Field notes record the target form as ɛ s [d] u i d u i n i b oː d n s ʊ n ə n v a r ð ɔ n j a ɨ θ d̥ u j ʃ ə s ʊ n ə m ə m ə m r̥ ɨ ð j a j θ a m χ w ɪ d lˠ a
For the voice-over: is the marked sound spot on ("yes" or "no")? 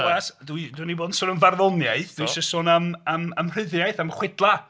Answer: yes